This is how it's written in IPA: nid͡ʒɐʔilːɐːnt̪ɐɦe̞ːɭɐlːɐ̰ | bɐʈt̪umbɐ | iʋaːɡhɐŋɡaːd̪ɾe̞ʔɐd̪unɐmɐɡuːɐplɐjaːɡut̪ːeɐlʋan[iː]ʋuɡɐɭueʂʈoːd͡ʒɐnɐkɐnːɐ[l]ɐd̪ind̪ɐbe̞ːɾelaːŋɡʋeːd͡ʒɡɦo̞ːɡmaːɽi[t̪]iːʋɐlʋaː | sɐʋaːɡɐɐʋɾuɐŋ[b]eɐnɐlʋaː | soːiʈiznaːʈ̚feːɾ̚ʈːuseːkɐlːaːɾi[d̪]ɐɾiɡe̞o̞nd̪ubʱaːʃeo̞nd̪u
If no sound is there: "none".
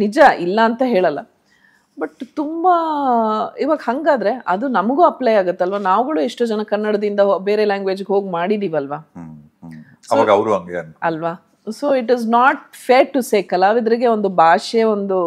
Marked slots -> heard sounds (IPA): aː, ɽ, d̪, ɡ, d̪

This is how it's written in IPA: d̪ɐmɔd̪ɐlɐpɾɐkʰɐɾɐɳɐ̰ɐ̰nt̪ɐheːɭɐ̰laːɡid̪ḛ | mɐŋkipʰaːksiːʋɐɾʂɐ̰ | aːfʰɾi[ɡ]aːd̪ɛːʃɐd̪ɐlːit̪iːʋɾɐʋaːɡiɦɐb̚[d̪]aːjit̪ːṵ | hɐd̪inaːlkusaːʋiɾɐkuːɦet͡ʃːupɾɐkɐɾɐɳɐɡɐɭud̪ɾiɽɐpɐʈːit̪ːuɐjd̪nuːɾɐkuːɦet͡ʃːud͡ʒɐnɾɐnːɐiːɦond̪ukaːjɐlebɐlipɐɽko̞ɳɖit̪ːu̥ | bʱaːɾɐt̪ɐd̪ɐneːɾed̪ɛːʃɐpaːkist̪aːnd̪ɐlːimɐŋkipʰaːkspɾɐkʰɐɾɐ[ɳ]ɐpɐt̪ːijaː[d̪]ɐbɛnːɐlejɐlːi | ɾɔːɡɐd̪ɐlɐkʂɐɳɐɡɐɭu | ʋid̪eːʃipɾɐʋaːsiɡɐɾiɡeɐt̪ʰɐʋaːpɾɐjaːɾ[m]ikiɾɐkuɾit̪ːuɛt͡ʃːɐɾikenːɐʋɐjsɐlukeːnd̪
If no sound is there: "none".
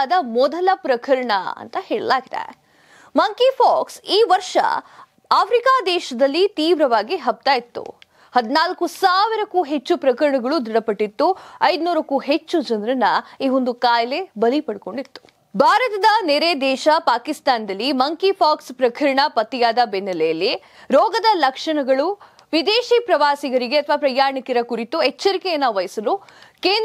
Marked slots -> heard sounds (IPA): k, t̪, ɳ, d̪, ɳ

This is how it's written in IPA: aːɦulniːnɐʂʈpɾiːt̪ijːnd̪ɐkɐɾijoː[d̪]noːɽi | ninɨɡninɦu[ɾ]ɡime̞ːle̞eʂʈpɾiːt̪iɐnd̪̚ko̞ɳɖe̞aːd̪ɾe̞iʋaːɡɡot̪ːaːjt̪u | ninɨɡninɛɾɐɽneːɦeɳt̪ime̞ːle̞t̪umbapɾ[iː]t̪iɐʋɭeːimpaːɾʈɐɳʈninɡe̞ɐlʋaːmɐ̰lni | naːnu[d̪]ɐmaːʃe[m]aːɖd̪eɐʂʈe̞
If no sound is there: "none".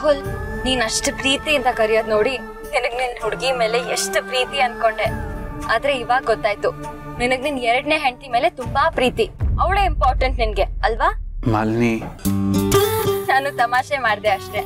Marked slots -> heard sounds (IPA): d̪, ɽ, iː, t̪, m

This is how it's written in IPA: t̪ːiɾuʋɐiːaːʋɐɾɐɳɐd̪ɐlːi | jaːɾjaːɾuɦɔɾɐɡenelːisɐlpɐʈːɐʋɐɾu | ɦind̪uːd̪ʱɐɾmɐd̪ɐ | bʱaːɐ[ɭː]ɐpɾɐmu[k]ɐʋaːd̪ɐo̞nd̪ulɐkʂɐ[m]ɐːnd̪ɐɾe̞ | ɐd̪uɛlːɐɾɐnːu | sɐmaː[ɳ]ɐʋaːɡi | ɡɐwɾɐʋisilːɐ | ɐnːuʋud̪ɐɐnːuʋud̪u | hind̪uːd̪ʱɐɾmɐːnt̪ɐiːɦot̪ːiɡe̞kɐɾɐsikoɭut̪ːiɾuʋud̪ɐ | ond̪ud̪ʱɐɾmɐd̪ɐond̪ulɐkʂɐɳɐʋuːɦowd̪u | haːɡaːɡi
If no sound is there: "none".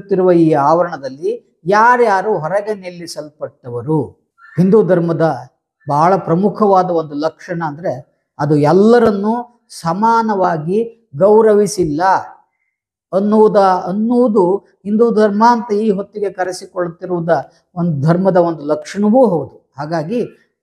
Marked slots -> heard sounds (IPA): ɭ, kʰ, ɳ, n

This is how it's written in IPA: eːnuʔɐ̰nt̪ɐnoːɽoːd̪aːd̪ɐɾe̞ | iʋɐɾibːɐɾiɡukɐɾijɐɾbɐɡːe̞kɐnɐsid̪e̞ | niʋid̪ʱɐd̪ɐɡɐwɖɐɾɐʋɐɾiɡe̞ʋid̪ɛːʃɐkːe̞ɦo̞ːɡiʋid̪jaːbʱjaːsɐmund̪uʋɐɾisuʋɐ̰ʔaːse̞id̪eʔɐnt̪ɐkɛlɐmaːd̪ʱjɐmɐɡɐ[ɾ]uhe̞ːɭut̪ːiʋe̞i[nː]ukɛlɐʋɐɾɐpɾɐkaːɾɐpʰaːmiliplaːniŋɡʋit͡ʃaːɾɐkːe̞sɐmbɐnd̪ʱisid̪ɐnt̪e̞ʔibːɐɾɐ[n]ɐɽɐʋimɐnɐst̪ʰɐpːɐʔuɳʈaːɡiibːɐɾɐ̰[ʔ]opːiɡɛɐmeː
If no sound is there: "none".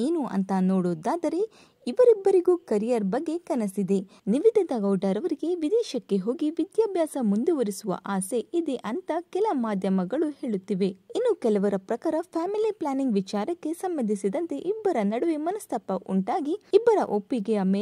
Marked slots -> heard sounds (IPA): ɭ, nː, n, ʔ

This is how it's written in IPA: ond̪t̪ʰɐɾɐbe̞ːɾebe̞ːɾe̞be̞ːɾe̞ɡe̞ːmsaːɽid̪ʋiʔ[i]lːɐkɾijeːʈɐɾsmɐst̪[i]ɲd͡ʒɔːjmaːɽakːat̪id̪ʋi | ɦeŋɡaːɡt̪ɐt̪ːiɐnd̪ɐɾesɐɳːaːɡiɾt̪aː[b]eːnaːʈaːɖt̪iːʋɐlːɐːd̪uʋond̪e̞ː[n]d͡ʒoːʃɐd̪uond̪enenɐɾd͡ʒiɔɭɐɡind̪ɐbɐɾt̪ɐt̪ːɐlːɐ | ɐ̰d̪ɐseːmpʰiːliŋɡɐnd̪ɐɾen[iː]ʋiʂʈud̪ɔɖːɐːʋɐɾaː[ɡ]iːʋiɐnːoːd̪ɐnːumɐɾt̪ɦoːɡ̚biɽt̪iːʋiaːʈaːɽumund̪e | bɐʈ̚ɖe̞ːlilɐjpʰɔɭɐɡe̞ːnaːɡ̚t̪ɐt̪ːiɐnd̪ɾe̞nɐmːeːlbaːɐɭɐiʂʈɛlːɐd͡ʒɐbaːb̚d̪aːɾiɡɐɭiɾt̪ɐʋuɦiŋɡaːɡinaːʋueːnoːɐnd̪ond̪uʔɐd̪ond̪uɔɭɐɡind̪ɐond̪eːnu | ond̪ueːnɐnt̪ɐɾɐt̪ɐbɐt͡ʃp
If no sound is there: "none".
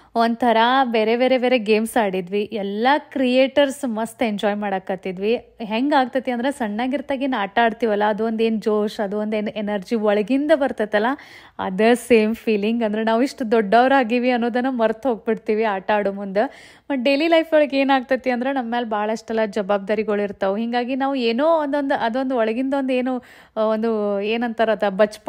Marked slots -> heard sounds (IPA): ɛ, e, ɡ, n, aː, ɡ

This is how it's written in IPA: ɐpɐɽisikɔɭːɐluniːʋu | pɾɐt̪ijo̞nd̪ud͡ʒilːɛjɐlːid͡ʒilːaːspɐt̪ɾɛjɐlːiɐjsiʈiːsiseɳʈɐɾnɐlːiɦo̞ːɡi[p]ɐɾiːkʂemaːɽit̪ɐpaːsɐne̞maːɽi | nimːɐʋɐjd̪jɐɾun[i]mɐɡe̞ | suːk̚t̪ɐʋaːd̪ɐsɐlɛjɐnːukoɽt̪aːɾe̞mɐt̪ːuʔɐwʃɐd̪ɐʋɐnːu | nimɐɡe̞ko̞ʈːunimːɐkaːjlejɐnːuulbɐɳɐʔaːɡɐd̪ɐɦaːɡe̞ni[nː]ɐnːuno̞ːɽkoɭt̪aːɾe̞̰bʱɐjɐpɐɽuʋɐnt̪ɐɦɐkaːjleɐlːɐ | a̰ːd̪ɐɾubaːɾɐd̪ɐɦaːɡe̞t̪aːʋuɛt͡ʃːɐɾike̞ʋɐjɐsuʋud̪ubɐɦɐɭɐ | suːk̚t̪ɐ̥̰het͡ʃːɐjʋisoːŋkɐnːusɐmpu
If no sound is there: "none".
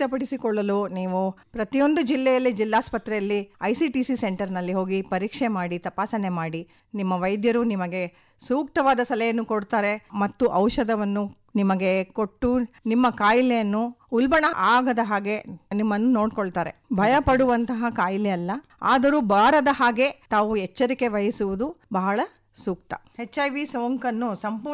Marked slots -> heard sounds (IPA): p, i, mː

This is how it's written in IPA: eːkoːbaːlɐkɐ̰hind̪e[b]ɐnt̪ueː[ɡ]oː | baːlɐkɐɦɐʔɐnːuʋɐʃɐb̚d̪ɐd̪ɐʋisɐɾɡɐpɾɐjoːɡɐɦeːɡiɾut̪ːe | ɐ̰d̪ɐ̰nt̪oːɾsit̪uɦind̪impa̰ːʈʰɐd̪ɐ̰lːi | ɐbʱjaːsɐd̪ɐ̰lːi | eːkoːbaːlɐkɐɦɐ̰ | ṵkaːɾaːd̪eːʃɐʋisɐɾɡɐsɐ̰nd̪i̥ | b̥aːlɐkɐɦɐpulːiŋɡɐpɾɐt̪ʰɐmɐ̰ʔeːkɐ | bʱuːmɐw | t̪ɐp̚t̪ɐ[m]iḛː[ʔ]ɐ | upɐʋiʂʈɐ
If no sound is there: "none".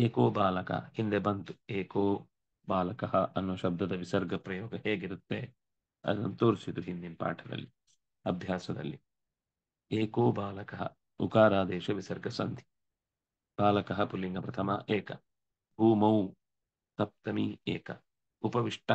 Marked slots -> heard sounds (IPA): b, k, m, k

